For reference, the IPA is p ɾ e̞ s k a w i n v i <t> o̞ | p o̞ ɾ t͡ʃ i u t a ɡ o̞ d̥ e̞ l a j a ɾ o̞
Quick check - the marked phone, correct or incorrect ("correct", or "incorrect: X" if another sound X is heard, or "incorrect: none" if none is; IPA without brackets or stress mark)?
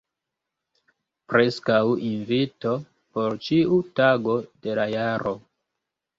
correct